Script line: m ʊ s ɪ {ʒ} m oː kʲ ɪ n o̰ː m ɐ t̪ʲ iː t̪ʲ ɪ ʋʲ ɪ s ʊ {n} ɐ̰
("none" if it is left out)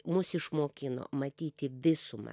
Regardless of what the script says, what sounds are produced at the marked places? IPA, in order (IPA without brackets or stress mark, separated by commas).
ʃ, m